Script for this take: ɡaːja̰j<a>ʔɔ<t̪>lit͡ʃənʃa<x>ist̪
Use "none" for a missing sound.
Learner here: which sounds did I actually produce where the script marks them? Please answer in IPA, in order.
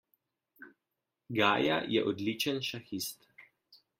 ɛ, d̪, x

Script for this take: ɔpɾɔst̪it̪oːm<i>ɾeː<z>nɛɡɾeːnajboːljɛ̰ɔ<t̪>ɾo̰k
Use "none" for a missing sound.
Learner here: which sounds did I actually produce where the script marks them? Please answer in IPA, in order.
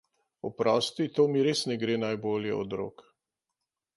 i, s, d̪

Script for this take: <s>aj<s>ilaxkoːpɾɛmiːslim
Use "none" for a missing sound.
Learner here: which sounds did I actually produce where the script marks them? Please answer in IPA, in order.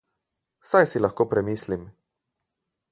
s, s

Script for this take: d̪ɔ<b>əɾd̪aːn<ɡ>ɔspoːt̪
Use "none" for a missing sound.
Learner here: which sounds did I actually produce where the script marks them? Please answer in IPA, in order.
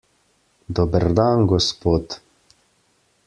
b, ɡ

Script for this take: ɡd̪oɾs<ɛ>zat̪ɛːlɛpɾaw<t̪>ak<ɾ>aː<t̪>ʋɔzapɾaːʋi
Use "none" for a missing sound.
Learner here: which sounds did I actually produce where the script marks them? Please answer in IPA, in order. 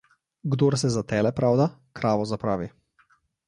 ɛ, d̪, ɾ, none

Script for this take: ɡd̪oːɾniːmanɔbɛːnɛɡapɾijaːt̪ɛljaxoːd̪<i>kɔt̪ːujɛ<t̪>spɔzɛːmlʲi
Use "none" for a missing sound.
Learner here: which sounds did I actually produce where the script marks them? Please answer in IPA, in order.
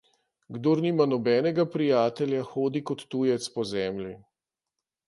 i, t̪

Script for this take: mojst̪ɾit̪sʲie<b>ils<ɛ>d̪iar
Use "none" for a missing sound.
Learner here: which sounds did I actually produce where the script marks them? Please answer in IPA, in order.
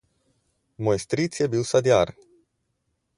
b, a

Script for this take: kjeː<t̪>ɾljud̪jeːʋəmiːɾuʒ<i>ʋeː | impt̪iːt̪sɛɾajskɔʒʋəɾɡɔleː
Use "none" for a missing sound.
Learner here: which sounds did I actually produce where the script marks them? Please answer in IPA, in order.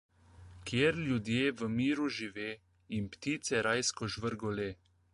none, i

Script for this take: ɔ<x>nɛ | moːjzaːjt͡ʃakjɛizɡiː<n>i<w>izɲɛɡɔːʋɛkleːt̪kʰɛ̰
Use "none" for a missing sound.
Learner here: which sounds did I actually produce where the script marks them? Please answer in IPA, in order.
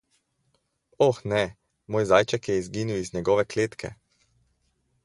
x, n, w

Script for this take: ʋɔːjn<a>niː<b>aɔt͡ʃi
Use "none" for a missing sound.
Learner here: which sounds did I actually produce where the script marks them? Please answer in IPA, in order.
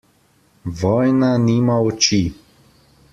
a, m

